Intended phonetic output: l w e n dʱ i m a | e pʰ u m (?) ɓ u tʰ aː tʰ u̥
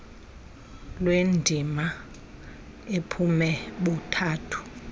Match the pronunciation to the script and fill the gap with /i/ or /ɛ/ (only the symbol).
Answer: ɛ